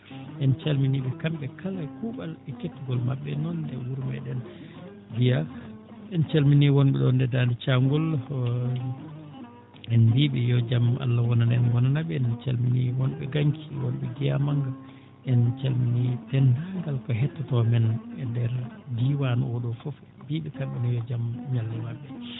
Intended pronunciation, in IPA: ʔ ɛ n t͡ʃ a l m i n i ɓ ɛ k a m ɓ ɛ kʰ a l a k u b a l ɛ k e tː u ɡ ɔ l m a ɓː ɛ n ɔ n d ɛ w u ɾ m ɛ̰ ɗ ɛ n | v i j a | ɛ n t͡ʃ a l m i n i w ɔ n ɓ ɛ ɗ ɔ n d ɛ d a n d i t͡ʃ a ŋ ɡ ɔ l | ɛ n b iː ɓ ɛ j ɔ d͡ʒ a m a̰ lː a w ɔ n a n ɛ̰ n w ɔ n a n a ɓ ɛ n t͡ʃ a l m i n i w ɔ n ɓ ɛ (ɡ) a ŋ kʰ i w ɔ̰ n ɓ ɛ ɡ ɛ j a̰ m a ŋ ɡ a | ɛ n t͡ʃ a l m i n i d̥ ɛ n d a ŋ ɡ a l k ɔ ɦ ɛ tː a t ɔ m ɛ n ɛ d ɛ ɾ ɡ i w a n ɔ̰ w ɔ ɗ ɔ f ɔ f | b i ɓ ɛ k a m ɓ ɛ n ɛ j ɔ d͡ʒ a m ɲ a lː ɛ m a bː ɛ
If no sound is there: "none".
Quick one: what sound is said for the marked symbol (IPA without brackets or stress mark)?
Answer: ɡ